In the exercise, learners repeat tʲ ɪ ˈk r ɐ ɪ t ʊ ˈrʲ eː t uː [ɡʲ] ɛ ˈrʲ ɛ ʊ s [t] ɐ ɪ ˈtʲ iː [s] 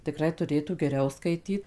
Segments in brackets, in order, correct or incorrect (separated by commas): correct, incorrect, incorrect